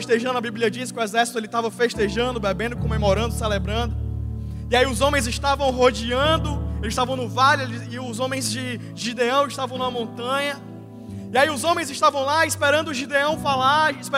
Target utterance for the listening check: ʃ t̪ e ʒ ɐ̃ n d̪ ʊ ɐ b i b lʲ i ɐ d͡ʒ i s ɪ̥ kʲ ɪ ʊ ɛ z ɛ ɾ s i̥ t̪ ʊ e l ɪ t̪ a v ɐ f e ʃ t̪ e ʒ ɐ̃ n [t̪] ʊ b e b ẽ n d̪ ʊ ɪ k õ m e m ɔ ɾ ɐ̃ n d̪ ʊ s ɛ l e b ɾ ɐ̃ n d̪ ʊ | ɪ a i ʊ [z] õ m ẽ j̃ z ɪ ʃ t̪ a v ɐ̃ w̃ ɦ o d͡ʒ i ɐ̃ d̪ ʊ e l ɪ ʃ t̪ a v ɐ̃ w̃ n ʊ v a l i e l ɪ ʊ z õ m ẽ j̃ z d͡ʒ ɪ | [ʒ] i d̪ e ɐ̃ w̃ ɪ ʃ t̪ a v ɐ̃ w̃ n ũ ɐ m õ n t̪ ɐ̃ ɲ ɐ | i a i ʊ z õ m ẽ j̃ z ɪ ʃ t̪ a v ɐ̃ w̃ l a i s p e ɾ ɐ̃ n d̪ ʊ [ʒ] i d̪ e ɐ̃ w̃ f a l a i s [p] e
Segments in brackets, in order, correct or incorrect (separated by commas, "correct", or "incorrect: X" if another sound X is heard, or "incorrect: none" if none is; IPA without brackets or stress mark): incorrect: d̪, correct, correct, correct, correct